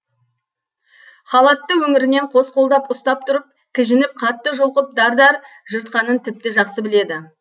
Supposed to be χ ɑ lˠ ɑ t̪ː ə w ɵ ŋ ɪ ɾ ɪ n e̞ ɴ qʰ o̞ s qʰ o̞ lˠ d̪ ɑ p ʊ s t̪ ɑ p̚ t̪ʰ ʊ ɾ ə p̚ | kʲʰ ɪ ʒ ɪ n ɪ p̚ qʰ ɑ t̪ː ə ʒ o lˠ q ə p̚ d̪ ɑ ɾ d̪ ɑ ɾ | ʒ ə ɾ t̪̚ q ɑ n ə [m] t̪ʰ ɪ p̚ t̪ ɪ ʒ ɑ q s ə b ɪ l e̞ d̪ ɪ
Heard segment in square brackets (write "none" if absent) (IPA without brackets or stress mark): n